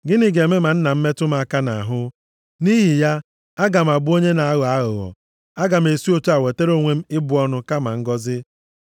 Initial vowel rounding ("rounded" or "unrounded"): unrounded